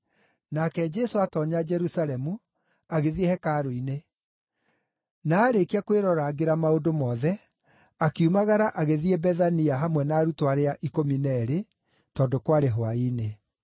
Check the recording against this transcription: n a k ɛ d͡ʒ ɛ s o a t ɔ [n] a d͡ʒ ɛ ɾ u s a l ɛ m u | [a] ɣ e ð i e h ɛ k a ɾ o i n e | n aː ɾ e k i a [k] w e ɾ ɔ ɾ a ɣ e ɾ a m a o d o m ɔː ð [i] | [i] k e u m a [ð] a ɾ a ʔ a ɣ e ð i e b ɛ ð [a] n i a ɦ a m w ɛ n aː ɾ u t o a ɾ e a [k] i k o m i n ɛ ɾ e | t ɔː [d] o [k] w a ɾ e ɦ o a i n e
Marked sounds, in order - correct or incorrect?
incorrect, correct, correct, incorrect, incorrect, incorrect, correct, incorrect, correct, correct

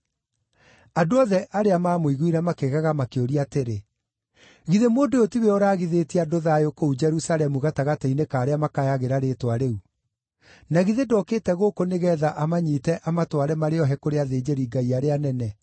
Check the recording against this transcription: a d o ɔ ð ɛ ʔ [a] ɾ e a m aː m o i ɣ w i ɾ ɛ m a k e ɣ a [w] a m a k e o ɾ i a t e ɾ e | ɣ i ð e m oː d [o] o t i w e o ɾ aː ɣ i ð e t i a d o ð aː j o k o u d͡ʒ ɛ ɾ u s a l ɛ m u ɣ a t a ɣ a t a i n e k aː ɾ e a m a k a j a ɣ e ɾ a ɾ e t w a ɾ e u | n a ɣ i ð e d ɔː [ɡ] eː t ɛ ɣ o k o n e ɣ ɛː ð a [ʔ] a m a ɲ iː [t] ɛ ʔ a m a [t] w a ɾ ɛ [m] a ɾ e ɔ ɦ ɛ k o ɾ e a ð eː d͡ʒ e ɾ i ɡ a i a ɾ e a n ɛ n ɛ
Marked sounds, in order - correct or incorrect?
correct, incorrect, correct, incorrect, correct, correct, correct, correct

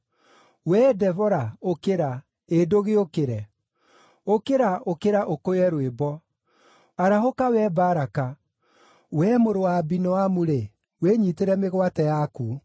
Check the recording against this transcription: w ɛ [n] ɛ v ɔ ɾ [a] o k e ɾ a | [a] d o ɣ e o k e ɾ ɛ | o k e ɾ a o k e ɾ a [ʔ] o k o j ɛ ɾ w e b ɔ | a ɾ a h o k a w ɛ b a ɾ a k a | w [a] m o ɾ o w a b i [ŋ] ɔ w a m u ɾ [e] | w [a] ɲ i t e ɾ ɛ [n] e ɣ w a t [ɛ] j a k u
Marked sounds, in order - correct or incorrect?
incorrect, correct, incorrect, correct, incorrect, incorrect, correct, incorrect, incorrect, correct

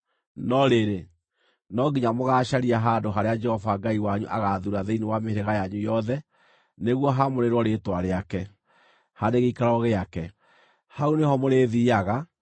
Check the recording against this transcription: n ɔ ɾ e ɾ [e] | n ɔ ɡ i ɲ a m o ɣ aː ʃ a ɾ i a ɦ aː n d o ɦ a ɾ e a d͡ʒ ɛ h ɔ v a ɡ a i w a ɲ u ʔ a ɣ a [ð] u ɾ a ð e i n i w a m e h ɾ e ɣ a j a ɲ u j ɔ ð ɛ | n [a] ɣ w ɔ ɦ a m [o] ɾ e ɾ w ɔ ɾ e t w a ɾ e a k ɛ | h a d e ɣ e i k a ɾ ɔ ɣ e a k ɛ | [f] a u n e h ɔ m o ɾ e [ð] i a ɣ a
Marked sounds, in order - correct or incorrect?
correct, correct, incorrect, correct, incorrect, correct

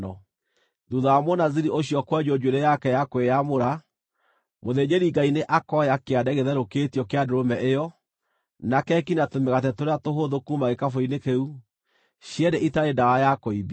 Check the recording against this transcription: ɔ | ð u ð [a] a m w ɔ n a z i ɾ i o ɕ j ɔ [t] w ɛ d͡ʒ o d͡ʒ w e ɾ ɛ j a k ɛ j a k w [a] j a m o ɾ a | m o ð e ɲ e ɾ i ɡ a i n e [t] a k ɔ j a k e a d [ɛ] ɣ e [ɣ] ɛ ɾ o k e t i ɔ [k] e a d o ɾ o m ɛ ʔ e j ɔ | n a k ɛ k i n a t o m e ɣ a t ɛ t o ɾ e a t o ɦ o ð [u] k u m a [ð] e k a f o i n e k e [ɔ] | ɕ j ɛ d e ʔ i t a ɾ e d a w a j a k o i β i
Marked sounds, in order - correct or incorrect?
correct, incorrect, incorrect, incorrect, correct, incorrect, correct, incorrect, incorrect, incorrect

